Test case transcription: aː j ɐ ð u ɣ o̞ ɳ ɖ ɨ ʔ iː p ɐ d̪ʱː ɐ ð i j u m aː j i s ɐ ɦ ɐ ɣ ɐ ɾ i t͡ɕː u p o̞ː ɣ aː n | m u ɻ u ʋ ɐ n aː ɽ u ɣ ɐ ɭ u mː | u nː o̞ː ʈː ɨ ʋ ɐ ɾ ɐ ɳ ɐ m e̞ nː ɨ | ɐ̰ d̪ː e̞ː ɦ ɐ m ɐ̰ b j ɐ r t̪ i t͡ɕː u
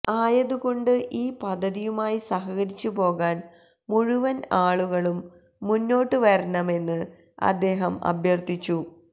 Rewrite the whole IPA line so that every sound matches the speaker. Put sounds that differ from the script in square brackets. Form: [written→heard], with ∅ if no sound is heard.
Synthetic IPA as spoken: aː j ɐ ð u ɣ o̞ ɳ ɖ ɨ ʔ iː p ɐ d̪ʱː ɐ ð i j u m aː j i s ɐ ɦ ɐ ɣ ɐ ɾ i t͡ɕː u p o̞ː ɣ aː n | m u ɻ u ʋ ɐ n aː [ɽ→ɭ] u ɣ ɐ ɭ u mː | u nː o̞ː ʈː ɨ ʋ ɐ ɾ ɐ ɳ ɐ m e̞ nː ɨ | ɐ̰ d̪ː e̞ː ɦ ɐ m ɐ̰ b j ɐ r t̪ i t͡ɕː u